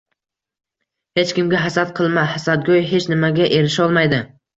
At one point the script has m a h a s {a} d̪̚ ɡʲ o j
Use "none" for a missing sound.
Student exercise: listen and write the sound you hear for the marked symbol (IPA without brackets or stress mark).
a